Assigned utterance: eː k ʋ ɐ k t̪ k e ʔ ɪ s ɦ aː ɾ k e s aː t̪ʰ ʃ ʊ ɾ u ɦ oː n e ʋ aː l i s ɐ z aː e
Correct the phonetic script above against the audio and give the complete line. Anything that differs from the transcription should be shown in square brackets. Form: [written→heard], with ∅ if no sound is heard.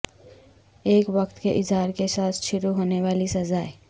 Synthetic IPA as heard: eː k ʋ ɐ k t̪ k e ʔ ɪ [s→z] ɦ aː ɾ k e s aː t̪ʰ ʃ ʊ ɾ u ɦ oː n e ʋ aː l i s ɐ z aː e